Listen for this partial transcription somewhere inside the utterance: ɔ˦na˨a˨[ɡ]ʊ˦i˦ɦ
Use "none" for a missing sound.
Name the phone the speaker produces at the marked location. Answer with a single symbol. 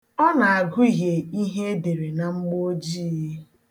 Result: ɡ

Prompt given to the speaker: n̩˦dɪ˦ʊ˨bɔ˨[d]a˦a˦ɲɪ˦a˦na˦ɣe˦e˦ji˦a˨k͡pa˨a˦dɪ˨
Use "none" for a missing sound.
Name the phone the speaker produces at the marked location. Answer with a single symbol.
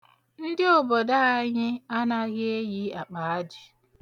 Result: d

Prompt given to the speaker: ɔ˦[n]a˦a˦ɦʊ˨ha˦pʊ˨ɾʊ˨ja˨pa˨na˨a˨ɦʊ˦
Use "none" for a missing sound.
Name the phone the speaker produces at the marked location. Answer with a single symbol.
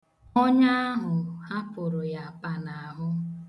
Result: ɲ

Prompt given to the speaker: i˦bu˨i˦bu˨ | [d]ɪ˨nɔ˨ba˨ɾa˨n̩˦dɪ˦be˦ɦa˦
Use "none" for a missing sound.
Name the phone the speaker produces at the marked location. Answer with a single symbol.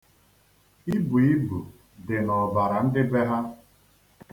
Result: d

